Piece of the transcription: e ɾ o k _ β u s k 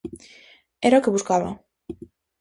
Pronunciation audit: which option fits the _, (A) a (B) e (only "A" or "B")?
B